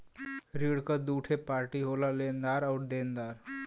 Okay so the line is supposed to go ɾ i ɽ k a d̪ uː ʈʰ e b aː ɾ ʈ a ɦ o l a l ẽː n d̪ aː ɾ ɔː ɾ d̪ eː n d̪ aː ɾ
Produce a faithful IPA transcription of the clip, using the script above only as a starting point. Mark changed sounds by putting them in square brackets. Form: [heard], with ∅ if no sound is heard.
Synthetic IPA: ɾ i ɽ k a d̪ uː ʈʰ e [p] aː ɾ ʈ [i] ɦ o l a l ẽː n d̪ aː ɾ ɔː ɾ d̪ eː n d̪ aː ɾ

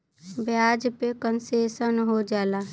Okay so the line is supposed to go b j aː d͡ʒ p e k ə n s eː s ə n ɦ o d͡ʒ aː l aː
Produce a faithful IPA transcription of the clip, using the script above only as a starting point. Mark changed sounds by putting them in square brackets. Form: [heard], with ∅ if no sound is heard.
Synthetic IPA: b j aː d͡ʒ p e k ə n s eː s ə n ɦ o d͡ʒ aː l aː

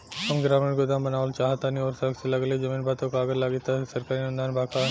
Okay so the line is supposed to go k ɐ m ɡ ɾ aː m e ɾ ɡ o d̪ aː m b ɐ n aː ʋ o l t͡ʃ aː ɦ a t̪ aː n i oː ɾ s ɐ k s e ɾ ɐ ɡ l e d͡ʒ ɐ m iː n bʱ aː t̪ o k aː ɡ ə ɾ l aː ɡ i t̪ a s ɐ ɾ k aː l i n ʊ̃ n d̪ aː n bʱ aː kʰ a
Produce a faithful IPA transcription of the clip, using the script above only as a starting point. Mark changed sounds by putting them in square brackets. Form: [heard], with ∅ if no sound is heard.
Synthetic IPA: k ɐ m ɡ ɾ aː m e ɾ ɡ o d̪ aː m b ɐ n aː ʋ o l t͡ʃ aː ɦ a t̪ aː n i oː ɾ s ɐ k s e [l] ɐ ɡ l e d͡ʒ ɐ m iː n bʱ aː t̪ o k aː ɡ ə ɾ l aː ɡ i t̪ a s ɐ ɾ k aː [ɾ] i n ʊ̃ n d̪ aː n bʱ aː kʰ a

